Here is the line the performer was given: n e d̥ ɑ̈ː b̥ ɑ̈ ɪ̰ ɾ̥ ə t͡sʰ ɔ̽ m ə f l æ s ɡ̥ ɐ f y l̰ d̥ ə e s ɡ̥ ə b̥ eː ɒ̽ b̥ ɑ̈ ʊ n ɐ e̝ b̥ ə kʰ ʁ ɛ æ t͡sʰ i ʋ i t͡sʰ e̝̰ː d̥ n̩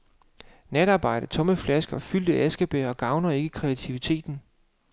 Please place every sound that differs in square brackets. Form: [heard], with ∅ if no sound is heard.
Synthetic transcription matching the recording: n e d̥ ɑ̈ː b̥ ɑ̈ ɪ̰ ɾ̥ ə t͡sʰ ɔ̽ m ə f l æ s ɡ̥ ɐ f y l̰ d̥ ə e s ɡ̥ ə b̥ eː ɒ̽ [ɡ̥] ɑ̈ ʊ n ɐ e̝ [ɡ̥] ə kʰ ʁ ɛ æ t͡sʰ i ʋ i t͡sʰ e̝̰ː d̥ n̩